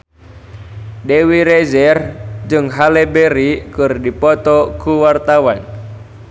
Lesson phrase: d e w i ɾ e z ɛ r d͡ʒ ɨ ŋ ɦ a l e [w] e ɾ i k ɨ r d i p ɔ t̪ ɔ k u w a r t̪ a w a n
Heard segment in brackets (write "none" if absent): b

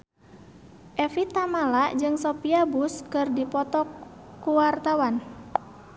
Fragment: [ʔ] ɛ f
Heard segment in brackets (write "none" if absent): ʔ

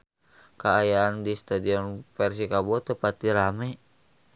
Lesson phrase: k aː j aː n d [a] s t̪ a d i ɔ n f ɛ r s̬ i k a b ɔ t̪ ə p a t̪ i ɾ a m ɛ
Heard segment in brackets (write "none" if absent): i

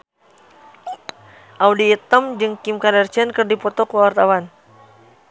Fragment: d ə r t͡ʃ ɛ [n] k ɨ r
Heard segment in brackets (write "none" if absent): n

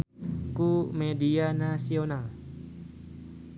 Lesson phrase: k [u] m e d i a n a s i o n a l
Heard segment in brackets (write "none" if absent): u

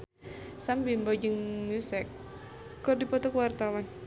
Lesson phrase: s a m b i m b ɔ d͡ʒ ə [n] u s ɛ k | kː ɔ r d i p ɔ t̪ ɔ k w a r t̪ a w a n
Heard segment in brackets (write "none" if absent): ŋ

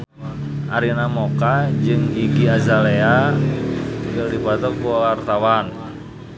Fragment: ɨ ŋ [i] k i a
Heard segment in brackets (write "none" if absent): i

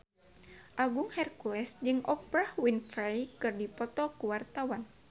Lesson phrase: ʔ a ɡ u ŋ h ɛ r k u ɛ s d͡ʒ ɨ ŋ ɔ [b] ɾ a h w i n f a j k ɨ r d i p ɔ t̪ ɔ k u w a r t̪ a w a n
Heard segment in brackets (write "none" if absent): p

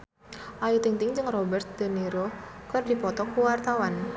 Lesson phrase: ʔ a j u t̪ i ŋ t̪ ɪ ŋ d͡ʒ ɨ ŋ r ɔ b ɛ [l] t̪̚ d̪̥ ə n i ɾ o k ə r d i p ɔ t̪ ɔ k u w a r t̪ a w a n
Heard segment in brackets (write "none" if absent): r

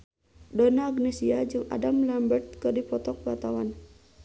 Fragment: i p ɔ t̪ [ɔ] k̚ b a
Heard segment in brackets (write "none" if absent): ɔ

